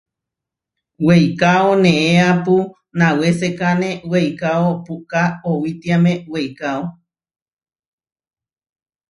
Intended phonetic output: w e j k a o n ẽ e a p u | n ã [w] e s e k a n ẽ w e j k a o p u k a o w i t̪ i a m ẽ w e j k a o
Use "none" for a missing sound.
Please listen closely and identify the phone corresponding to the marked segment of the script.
w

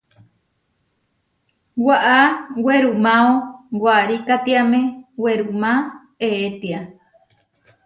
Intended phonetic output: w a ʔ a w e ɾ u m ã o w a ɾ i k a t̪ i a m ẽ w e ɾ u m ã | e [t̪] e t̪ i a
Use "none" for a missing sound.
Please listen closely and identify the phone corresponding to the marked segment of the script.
none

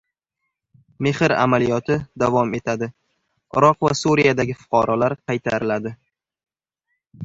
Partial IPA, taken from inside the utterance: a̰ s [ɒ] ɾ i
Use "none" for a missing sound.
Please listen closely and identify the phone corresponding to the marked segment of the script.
u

